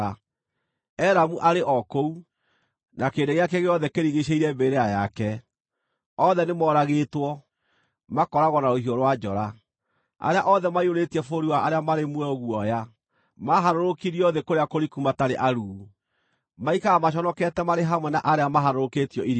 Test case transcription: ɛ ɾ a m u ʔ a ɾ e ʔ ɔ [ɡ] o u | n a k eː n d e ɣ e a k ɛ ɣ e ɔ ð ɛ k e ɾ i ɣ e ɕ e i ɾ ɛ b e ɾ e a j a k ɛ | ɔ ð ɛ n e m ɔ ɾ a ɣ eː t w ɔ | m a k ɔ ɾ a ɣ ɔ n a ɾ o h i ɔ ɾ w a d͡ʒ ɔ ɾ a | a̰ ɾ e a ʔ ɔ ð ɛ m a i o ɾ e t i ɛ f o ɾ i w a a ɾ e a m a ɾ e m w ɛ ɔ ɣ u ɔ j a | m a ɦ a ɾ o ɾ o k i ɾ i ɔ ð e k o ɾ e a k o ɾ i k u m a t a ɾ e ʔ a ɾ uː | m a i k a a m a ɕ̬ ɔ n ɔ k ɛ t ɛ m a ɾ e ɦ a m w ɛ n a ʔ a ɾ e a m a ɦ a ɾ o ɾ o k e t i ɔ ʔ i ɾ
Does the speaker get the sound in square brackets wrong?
yes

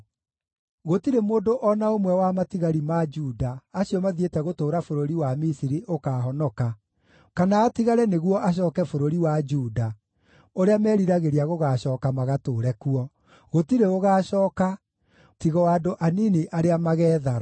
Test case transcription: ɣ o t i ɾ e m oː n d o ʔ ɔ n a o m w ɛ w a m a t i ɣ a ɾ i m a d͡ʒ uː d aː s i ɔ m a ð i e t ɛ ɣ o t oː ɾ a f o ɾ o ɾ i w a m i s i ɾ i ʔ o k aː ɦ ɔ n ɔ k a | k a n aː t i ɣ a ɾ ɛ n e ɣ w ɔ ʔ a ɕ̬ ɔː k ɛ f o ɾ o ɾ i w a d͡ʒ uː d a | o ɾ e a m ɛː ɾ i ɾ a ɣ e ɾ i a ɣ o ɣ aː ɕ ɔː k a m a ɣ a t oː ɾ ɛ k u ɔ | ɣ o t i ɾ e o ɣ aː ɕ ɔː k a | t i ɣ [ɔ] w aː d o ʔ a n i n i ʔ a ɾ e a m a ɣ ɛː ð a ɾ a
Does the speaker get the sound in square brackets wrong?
no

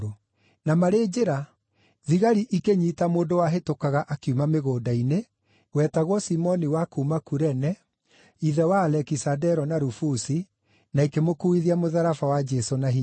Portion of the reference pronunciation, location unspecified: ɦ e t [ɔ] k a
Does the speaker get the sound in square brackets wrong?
yes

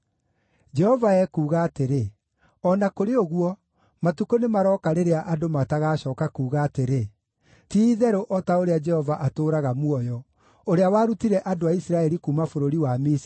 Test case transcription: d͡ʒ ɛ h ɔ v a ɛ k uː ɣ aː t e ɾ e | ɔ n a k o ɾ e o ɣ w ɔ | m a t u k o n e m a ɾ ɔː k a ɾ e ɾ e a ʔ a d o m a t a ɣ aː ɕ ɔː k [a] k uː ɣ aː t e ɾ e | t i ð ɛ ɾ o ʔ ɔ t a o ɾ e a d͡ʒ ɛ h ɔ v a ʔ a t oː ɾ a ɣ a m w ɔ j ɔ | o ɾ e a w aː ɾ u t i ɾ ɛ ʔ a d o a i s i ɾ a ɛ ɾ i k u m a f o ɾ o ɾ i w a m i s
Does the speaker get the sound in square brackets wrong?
no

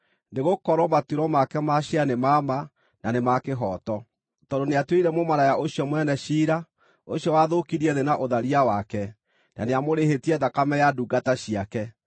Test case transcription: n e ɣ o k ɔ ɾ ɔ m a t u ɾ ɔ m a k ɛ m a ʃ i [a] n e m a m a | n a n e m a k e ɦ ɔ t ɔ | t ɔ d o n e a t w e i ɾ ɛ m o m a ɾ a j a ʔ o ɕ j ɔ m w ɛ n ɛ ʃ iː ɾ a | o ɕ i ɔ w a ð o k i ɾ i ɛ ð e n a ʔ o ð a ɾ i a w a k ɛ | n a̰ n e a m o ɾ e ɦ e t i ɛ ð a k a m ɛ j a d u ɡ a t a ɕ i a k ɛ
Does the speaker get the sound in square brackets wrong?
no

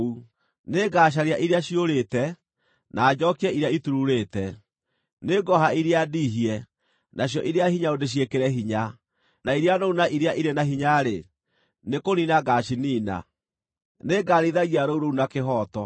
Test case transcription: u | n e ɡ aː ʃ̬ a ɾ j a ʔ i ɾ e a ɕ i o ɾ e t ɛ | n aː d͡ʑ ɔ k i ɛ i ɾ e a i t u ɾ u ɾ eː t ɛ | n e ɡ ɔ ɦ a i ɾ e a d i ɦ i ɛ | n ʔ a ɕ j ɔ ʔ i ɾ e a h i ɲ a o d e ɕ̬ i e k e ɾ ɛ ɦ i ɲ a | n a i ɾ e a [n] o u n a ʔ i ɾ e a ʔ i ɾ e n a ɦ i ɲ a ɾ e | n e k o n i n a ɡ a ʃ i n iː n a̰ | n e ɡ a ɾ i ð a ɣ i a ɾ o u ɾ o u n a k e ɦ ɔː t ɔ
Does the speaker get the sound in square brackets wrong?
no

